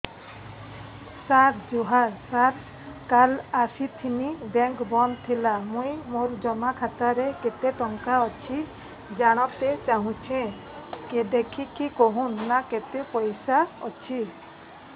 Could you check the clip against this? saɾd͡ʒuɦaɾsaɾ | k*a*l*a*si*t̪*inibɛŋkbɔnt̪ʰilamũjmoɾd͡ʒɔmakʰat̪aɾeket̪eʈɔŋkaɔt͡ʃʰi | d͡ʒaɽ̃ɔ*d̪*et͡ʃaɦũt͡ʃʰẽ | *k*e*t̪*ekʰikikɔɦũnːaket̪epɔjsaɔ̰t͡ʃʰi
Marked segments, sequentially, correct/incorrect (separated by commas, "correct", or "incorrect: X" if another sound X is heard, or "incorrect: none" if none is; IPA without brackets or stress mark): correct, correct, incorrect: t̪ʰ, incorrect: t̪, correct, incorrect: d̪